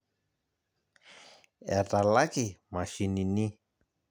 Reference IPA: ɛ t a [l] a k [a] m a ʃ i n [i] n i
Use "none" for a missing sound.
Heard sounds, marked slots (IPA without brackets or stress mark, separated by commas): l, i, i